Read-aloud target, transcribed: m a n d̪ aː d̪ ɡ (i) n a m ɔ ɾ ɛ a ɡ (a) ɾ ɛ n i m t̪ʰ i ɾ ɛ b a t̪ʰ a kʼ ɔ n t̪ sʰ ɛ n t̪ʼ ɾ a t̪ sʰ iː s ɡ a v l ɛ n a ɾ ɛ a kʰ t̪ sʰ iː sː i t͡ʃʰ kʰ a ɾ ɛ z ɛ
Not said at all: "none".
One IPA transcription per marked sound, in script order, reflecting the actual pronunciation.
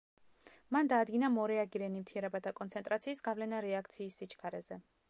i, i

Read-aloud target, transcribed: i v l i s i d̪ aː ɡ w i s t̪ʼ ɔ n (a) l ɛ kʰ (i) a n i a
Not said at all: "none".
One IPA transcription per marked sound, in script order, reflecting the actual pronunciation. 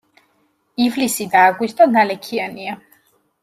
a, i

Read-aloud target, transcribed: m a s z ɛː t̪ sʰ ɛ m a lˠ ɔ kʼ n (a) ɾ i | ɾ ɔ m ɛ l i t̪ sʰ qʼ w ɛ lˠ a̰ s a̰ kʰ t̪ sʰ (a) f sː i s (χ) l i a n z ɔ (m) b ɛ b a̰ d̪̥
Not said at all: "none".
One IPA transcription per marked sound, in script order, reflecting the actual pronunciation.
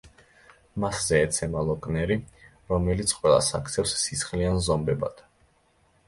ɛ, ɛ, χ, m

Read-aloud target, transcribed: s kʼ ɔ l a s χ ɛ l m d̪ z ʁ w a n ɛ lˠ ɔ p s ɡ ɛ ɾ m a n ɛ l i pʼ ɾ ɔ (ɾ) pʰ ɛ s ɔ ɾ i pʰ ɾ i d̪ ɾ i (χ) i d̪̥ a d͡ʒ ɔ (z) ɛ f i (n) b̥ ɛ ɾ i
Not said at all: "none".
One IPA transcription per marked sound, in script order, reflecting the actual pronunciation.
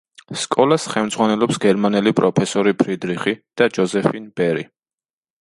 none, χ, z, n

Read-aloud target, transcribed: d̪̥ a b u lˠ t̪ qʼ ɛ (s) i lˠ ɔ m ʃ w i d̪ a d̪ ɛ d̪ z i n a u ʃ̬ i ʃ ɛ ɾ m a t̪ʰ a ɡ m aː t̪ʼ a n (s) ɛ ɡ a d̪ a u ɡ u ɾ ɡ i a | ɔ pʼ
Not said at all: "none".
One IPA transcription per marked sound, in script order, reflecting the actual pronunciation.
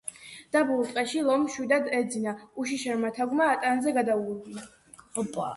ʃ, z

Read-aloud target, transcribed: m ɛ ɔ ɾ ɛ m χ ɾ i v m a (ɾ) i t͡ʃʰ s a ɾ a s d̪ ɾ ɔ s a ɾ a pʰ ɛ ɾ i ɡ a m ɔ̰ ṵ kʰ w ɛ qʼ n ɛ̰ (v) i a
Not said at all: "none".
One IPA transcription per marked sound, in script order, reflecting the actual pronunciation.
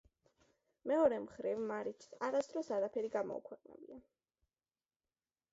ɾ, b

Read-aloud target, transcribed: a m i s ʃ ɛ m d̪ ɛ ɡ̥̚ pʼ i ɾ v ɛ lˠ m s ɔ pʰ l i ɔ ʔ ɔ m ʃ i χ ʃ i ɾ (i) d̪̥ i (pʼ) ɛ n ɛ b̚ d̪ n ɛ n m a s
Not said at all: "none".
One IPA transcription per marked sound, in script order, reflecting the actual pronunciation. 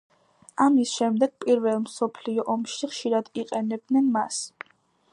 a, qʼ

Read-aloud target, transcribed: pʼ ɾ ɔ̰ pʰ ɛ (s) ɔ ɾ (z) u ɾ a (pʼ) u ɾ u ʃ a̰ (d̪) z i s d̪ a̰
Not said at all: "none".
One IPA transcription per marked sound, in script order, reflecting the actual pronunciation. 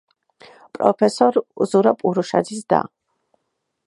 s, z, pʼ, d̪

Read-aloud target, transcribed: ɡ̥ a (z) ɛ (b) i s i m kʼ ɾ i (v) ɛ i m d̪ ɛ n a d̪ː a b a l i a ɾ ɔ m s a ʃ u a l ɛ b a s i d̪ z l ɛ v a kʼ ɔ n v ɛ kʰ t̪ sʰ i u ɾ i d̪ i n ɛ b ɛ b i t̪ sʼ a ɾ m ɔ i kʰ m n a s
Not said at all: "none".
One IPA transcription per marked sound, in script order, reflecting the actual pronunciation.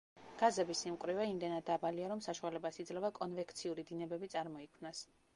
z, b, v

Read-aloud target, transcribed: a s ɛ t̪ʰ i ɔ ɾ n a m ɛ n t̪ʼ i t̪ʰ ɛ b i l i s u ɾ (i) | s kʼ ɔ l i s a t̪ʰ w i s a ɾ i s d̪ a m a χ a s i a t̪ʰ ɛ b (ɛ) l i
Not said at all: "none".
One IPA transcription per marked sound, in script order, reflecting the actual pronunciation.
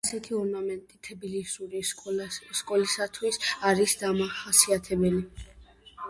i, ɛ

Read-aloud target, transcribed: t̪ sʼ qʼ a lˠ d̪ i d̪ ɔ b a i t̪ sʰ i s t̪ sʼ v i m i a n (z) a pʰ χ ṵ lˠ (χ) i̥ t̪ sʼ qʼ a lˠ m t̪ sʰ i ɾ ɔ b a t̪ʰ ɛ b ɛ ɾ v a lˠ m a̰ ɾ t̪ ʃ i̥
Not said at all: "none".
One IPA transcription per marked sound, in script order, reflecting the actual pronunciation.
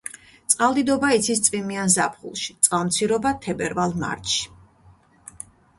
z, ʃ

